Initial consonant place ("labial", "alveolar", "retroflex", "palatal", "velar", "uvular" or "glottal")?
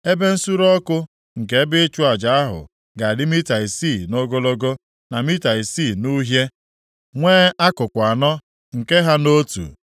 labial